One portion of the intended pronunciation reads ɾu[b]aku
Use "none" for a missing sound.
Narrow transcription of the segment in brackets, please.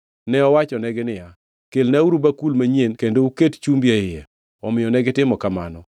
b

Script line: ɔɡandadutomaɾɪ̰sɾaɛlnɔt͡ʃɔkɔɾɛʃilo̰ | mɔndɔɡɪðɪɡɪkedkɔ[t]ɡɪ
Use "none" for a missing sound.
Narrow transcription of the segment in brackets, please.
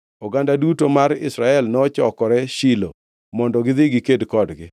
d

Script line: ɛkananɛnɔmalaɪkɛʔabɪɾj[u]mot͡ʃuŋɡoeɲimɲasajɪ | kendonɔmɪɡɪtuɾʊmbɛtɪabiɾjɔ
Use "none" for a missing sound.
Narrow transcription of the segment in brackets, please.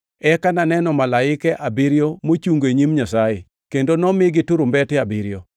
o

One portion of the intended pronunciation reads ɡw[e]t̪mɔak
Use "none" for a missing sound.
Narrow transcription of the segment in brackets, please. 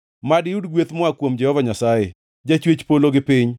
e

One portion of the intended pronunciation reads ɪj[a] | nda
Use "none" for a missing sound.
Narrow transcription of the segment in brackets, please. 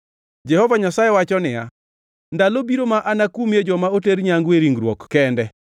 a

